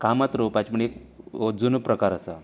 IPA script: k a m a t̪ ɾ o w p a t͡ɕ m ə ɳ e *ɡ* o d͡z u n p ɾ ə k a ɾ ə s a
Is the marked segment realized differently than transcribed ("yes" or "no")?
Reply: yes